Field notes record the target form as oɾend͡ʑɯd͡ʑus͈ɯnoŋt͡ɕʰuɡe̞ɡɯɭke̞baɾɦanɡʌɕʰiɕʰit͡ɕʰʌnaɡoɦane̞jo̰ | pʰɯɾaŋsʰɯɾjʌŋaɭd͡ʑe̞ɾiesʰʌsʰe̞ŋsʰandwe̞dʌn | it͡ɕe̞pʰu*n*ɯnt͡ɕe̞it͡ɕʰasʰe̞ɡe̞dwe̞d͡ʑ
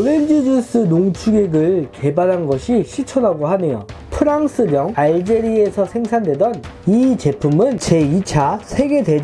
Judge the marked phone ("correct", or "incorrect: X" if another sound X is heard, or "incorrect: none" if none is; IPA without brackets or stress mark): incorrect: m